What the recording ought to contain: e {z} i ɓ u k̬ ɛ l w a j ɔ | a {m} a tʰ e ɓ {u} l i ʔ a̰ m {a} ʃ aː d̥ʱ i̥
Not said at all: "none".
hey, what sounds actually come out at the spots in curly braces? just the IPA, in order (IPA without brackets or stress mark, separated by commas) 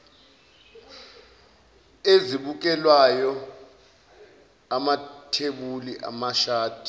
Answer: z, m, u, a